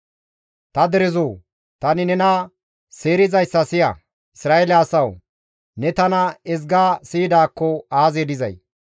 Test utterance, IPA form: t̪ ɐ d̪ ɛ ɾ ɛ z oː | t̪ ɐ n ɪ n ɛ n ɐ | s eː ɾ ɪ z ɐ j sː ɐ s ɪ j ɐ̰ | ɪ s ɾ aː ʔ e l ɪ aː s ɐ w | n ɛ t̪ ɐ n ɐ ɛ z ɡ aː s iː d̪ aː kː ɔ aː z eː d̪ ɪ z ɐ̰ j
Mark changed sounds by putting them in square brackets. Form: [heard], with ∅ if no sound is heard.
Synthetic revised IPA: t̪ ɐ d̪ ɛ ɾ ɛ z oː | t̪ ɐ n ɪ n ɛ n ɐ | s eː ɾ ɪ z ɐ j sː ɐ s ɪ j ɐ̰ | ɪ s ɾ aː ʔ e l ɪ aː s ɐ w | n ɛ t̪ ɐ n ɐ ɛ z ɡ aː s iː d̪ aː kː ɔ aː z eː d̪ ɪ z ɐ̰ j